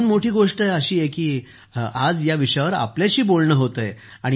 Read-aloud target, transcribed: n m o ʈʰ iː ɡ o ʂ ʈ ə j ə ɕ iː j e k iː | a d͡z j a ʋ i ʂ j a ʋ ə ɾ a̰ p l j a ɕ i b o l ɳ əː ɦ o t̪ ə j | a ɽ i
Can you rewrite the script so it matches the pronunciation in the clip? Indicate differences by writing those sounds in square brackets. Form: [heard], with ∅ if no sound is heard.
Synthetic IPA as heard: n m o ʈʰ iː ɡ o ʂ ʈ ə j ə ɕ iː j e k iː | a d͡z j a ʋ i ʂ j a ʋ ə ɾ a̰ p l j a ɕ [iː] b o l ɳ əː ɦ o t̪ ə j | a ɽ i